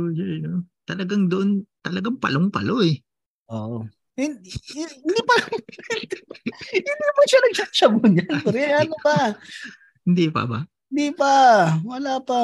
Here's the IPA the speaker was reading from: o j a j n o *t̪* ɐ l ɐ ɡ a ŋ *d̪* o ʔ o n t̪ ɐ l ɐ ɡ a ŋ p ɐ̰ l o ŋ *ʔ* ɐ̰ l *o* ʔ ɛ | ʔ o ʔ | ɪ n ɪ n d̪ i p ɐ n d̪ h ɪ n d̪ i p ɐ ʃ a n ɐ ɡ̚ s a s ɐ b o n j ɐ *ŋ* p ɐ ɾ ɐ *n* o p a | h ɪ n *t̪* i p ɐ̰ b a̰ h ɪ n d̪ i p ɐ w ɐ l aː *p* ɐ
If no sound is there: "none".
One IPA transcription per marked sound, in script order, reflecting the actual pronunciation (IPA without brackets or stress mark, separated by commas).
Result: t̪, d̪, p, o, n, n, d̪, p